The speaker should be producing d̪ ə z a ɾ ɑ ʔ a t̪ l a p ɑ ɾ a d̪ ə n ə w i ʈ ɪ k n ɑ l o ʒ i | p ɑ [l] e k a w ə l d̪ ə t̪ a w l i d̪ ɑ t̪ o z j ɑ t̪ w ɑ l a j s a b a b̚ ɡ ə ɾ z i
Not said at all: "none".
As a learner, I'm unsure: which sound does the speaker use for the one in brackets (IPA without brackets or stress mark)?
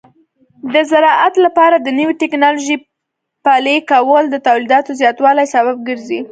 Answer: l